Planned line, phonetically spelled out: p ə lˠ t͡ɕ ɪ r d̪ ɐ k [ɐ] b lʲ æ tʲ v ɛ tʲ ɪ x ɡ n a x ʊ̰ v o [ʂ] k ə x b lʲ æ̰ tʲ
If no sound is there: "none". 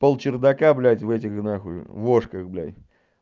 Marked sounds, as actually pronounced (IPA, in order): a, ʂ

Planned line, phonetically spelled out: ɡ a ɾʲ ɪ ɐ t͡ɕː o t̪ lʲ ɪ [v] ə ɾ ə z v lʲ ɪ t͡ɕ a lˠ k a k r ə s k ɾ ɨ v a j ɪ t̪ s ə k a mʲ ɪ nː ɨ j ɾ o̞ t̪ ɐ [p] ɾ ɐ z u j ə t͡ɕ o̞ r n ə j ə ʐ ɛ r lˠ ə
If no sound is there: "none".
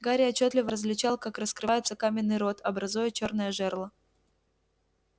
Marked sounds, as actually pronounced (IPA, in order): v, b

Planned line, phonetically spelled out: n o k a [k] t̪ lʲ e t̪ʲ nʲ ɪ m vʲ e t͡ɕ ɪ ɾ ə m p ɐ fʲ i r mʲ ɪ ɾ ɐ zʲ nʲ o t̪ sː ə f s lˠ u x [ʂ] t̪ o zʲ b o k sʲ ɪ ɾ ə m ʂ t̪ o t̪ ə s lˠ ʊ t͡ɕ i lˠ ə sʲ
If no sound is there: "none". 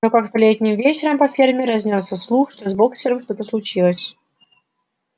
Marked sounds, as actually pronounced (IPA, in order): k, ʂ

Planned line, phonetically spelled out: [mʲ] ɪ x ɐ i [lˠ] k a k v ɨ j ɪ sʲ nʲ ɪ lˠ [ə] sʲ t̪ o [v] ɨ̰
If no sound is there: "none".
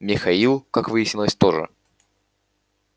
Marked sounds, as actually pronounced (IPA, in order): mʲ, lˠ, ə, ʐ

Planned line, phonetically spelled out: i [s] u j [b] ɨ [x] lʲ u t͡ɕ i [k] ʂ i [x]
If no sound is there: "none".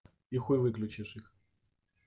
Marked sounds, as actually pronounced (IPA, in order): x, v, k, none, x

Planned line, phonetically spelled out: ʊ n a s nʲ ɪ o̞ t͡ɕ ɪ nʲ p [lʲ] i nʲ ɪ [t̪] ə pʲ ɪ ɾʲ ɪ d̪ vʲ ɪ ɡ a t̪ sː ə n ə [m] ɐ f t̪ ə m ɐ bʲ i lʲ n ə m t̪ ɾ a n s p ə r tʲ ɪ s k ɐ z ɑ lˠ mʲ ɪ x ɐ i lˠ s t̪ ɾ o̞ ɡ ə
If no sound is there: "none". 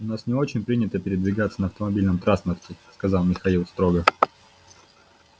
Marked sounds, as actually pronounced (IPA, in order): ɾʲ, t̪, none

